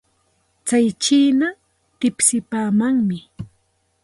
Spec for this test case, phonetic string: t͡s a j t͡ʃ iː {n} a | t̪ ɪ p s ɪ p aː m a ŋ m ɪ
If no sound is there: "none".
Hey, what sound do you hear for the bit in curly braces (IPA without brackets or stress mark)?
n